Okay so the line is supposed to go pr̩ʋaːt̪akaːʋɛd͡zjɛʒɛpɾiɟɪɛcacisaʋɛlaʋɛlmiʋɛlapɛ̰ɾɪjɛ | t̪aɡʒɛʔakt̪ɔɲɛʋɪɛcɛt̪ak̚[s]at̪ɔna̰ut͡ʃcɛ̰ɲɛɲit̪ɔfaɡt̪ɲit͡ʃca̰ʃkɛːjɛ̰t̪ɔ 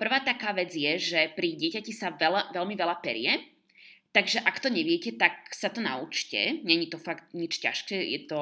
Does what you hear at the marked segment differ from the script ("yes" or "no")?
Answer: no